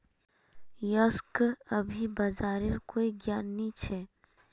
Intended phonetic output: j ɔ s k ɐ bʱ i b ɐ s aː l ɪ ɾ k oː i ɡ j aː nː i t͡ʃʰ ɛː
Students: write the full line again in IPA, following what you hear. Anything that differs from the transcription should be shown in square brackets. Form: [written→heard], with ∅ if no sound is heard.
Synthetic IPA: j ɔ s k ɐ bʱ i b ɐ [s→z] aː [l→ɾ] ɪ ɾ k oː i ɡ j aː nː i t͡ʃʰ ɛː